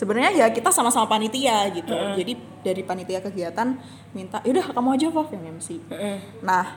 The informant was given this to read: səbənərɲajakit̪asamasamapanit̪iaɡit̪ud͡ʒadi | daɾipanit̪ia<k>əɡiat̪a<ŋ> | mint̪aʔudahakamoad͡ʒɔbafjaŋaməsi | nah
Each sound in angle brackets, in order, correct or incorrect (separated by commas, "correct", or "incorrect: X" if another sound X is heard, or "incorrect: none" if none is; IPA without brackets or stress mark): correct, incorrect: n